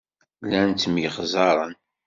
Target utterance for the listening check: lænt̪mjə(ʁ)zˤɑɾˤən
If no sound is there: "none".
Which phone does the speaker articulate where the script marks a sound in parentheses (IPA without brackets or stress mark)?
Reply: χ